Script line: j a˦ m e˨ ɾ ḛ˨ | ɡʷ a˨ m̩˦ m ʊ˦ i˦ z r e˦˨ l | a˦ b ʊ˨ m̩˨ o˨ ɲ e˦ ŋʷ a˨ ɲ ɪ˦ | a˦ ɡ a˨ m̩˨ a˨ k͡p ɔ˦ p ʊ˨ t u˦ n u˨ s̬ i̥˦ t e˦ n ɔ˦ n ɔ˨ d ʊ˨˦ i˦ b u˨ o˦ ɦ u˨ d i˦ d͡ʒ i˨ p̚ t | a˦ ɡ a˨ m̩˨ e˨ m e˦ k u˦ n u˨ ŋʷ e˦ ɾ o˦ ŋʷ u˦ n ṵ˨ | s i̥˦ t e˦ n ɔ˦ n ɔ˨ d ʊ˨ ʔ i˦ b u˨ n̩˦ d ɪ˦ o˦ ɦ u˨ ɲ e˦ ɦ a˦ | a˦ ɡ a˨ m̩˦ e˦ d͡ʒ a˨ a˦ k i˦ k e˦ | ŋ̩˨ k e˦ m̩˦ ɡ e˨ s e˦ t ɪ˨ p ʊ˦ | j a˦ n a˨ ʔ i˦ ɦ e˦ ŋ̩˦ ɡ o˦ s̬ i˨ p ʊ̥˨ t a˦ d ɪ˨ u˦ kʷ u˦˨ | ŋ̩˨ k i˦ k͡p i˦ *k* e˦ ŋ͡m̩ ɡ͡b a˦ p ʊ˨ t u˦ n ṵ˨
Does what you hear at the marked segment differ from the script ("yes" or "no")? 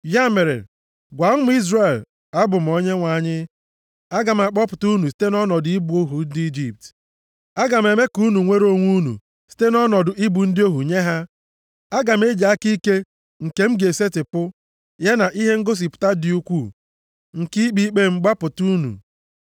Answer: yes